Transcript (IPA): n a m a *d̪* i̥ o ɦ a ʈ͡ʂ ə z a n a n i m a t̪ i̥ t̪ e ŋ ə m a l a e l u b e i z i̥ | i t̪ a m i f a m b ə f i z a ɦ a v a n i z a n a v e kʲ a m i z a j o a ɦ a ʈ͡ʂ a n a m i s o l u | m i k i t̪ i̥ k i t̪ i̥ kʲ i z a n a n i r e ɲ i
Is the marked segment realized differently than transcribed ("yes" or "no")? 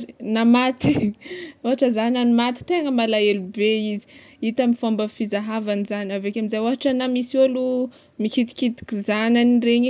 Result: yes